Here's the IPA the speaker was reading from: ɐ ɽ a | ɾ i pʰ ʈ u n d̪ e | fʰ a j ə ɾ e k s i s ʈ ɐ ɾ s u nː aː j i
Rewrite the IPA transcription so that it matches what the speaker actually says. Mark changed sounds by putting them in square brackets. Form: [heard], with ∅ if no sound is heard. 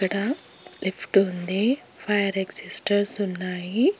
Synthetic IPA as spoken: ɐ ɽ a | [l] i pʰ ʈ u n d̪ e | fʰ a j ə ɾ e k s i s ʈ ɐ ɾ s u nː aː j i